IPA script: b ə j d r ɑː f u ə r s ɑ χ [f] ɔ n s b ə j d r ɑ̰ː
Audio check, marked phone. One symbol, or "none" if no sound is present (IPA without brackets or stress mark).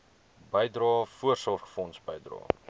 f